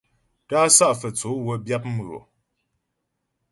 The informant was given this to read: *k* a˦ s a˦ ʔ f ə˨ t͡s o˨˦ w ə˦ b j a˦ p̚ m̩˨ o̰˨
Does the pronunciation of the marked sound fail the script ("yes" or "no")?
yes